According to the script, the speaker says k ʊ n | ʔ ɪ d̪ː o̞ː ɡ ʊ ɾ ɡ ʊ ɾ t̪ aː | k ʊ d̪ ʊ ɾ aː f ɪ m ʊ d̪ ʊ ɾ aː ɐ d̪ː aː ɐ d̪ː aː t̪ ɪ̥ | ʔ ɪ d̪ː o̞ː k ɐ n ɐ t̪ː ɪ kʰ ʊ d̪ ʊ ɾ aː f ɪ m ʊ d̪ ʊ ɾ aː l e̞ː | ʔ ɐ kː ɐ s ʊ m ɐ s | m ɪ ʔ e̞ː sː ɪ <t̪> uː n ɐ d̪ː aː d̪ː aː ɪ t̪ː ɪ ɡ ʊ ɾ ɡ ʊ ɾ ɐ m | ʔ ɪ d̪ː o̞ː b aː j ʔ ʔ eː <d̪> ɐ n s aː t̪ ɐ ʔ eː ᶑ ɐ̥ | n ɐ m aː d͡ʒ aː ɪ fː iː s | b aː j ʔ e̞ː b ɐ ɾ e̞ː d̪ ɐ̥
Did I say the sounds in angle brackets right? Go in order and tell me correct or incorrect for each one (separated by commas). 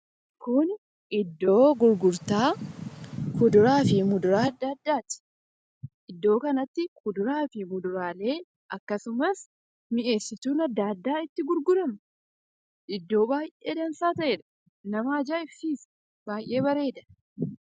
correct, correct